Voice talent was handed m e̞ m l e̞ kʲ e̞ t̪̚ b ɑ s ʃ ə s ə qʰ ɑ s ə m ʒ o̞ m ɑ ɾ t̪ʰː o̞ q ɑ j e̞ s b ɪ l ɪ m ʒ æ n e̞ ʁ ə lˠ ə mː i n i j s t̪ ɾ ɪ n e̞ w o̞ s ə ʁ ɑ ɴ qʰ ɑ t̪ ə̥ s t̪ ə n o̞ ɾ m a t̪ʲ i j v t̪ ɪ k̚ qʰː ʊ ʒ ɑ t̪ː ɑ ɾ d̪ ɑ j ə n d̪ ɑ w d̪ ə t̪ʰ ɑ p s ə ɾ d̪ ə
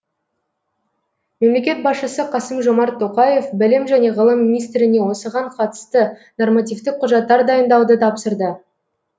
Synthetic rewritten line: m e̞ m l e̞ kʲ e̞ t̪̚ b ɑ s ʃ ə s ə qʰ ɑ s ə m ʒ o̞ m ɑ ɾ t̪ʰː o̞ q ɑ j e̞ f b ɪ l ɪ m ʒ æ n e̞ ʁ ə lˠ ə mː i n i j s t̪ ɾ ɪ n e̞ w o̞ s ə ʁ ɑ ɴ qʰ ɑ t̪ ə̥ s t̪ ə n o̞ r m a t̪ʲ i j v t̪ ɪ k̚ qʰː ʊ ʒ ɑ t̪ː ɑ ɾ d̪ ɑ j ə n d̪ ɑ w d̪ ə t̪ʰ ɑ p s ə ɾ d̪ ə